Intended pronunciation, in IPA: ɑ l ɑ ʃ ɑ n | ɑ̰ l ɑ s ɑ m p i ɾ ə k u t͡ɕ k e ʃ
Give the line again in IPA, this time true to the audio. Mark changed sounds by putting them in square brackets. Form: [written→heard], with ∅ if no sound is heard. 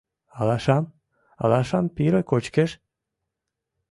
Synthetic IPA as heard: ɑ l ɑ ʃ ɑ [n→m] | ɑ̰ l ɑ [s→ʃ] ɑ m p i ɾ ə k [u→o] t͡ɕ k e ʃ